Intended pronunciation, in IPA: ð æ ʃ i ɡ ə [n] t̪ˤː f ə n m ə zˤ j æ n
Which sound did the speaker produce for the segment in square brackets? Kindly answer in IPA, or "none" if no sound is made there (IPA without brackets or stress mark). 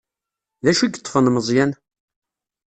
none